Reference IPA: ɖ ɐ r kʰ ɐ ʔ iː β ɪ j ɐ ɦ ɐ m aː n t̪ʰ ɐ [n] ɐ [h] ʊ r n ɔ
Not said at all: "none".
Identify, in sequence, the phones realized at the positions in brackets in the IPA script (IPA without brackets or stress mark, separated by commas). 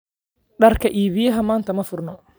m, f